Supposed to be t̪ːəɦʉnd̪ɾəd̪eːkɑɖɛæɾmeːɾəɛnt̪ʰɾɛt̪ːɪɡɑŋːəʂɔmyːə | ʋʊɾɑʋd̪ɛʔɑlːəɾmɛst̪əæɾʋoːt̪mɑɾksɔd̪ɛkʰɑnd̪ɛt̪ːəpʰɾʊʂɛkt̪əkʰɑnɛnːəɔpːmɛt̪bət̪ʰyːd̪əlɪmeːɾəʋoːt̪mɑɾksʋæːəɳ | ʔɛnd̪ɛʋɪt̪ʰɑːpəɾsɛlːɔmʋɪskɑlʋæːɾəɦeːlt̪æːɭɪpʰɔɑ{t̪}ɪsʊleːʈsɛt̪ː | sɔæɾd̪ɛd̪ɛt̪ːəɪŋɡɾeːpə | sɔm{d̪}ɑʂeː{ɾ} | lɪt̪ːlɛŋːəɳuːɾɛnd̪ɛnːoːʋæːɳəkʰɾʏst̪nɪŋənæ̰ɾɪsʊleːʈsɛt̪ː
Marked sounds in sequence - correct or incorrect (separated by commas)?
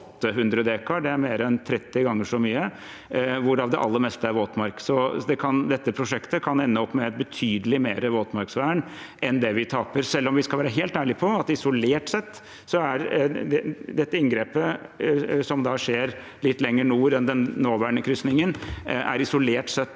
correct, correct, correct